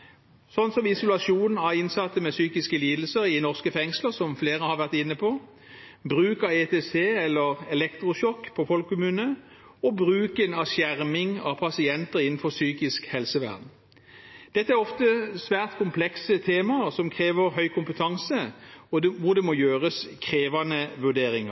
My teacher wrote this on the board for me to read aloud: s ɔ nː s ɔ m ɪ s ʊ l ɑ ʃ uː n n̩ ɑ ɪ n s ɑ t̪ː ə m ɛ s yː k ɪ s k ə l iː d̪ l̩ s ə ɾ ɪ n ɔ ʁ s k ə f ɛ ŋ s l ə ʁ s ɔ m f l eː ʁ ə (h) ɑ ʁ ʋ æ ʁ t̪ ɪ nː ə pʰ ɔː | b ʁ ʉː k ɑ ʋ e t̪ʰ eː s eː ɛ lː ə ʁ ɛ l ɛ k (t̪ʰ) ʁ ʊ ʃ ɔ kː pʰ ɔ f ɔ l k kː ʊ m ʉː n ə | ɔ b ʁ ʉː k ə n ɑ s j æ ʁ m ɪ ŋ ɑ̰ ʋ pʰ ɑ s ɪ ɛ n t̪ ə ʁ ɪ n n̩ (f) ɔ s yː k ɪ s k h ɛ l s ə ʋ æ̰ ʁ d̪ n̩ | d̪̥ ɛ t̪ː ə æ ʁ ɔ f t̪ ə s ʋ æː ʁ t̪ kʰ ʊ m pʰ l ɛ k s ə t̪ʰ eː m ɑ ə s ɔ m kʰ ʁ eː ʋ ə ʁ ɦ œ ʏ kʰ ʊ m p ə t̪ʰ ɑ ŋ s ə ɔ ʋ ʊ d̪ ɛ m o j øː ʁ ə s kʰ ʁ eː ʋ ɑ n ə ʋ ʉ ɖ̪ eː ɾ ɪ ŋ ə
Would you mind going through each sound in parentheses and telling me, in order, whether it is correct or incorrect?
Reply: correct, incorrect: t̪, correct

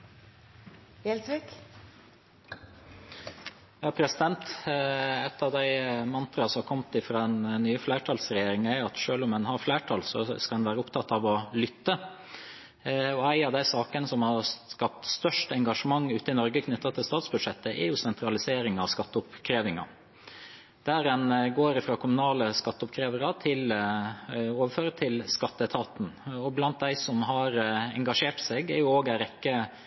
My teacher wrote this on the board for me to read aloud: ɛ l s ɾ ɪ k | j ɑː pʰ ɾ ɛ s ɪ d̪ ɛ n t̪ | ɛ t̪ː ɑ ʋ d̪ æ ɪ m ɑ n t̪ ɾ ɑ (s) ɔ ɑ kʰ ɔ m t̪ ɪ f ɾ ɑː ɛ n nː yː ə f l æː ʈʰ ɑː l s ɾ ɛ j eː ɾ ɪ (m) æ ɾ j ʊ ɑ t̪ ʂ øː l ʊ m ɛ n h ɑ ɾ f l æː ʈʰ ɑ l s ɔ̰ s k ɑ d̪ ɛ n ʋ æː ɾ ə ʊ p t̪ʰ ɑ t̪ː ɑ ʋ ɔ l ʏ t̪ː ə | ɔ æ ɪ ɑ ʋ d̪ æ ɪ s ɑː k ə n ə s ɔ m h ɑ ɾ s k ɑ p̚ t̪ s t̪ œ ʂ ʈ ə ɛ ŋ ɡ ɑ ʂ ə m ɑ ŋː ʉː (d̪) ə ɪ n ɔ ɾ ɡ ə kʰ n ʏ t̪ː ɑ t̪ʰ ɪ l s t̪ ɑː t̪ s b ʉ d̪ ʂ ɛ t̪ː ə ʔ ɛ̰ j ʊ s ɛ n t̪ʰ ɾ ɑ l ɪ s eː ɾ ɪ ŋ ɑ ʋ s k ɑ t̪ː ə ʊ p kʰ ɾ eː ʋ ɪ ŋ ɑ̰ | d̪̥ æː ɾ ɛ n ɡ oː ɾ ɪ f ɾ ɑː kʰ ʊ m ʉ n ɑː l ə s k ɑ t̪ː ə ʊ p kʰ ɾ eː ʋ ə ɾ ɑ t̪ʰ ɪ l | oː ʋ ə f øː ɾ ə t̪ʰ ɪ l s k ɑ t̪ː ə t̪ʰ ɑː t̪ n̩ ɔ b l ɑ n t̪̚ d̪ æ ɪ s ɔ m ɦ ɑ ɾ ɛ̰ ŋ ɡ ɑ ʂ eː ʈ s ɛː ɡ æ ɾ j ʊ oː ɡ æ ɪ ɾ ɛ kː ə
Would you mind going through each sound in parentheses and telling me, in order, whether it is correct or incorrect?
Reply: correct, incorrect: ŋ, incorrect: t̪

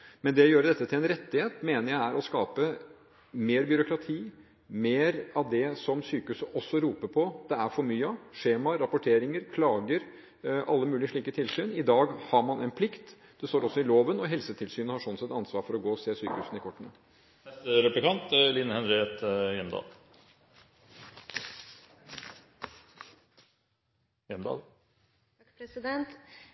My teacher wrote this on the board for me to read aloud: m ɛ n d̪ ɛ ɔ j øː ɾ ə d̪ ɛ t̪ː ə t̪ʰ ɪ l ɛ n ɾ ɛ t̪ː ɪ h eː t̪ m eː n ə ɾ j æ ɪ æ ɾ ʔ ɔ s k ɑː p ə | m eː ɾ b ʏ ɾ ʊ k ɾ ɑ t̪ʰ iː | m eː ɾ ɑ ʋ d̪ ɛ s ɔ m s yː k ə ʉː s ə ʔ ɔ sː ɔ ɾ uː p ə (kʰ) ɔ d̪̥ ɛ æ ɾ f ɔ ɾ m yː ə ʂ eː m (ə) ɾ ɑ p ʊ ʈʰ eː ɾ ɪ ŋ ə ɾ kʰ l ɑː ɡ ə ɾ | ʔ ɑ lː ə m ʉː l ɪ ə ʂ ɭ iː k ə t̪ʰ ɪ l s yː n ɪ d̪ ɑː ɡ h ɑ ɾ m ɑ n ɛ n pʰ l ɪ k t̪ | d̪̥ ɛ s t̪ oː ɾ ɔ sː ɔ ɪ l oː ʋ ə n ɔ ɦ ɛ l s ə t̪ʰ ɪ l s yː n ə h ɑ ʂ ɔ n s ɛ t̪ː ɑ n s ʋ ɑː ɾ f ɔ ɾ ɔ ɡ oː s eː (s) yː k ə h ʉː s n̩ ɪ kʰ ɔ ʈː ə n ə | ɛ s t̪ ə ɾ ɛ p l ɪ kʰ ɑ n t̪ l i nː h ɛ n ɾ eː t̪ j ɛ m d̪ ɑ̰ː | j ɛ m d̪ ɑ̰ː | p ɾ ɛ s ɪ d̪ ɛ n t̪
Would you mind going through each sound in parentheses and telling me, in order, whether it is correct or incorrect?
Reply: incorrect: pʰ, incorrect: ɑ, correct

